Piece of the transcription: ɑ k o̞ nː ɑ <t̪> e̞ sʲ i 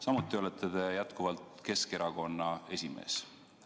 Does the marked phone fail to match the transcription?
yes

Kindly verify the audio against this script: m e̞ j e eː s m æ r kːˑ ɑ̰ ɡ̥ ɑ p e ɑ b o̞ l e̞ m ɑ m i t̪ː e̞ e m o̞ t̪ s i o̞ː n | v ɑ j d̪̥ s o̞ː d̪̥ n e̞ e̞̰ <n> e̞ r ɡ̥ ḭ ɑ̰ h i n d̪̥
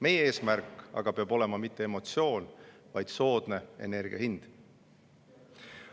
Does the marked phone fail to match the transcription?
no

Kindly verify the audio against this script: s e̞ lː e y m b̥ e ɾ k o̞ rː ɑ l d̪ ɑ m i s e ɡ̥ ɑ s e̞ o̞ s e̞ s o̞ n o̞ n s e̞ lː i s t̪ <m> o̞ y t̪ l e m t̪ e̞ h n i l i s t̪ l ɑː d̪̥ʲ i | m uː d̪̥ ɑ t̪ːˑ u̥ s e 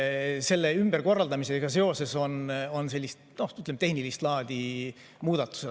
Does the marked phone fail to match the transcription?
yes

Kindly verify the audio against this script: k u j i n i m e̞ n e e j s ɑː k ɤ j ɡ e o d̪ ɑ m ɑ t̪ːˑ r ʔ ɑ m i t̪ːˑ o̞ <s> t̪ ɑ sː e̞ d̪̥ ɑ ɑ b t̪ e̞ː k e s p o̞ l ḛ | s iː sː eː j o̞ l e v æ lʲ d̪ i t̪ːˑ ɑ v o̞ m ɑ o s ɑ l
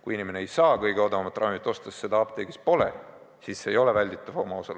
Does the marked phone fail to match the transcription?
no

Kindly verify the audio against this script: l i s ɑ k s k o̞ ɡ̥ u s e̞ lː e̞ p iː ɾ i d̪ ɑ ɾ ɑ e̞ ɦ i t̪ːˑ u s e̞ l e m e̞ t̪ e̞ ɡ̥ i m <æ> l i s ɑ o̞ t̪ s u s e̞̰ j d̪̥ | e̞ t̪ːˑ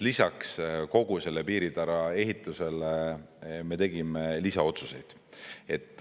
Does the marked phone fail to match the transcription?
yes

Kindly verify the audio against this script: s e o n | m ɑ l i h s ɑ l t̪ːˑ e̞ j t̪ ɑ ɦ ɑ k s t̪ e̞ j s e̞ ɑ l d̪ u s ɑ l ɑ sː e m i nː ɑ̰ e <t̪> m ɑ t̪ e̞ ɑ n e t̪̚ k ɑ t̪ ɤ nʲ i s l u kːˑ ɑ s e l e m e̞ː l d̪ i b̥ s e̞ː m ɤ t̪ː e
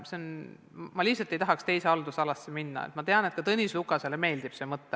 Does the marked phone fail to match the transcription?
no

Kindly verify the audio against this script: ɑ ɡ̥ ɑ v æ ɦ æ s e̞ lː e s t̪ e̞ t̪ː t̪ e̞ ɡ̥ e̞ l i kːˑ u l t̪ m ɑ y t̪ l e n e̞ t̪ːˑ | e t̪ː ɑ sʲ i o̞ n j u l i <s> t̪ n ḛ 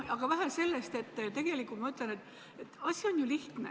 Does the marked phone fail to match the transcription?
yes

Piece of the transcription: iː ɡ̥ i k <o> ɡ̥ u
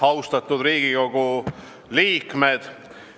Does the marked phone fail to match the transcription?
no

